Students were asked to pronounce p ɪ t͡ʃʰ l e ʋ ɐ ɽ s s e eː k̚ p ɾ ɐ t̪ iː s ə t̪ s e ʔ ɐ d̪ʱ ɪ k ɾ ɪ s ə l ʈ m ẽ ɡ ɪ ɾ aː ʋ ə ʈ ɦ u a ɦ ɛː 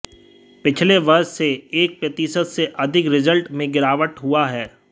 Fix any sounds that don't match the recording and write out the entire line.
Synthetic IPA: p ɪ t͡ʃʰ l e ʋ ɐ ɾ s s e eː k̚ p ɾ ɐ t̪ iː s ə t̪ s e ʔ ɐ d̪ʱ ɪ k ɾ ɪ z ə l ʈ m ẽ ɡ ɪ ɾ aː ʋ ə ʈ ɦ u a ɦ ɛː